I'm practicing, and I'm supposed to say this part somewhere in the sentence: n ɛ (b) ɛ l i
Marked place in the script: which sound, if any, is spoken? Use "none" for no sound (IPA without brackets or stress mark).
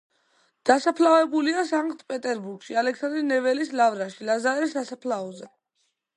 v